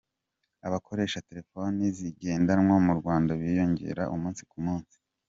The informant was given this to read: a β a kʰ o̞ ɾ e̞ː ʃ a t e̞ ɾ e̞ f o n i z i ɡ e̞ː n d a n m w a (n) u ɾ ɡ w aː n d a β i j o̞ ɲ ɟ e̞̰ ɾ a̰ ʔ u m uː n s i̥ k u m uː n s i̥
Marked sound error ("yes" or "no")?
yes